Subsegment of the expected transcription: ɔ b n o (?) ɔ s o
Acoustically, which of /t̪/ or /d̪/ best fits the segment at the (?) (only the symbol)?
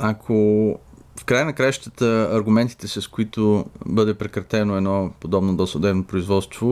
d̪